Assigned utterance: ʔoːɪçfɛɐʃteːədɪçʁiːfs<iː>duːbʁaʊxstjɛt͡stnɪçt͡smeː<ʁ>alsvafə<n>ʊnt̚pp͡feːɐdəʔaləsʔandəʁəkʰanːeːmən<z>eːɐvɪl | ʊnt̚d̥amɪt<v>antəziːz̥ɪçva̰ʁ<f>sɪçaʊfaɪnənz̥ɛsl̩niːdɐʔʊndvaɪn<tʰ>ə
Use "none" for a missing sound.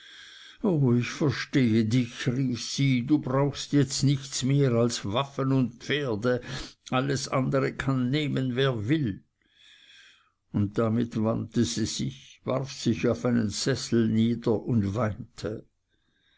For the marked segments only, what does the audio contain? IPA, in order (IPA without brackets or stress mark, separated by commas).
iː, ʁ, n, v, v, f, tʰ